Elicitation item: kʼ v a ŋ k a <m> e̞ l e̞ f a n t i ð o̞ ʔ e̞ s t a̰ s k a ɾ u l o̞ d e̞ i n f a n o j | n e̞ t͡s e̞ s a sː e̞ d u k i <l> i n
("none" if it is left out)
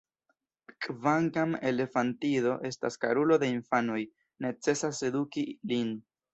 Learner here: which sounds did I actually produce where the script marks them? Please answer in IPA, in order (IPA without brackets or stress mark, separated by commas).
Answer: m, l